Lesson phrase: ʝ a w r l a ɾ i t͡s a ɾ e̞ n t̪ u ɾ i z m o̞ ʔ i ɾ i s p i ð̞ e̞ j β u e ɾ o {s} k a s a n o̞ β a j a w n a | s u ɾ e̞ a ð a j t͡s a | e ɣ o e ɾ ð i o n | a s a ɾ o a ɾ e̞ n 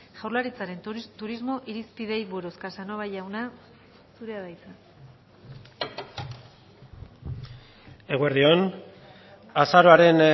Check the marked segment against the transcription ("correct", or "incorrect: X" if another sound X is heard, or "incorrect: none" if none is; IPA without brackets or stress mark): correct